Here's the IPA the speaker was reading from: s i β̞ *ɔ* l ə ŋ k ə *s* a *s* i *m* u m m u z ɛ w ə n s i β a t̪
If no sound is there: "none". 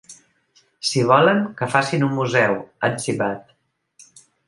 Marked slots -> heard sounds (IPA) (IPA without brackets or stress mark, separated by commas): ɔ, f, s, n